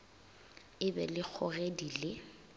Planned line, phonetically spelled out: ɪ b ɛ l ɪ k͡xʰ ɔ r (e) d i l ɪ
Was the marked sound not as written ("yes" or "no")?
no